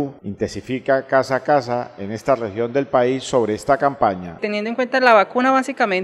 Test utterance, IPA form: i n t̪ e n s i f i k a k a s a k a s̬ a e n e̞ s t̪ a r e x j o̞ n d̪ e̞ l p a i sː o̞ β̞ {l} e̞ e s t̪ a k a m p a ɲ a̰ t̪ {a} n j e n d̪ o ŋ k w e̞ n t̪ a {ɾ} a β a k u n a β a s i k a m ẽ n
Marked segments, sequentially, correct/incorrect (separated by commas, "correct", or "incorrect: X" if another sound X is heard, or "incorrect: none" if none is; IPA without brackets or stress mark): incorrect: ɾ, incorrect: e, incorrect: l